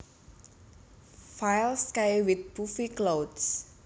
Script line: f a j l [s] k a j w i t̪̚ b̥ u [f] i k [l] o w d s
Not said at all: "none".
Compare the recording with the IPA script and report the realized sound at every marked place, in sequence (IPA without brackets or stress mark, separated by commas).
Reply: s, f, l